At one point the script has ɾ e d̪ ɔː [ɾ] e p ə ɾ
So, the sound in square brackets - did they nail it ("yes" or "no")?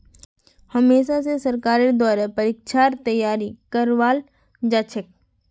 yes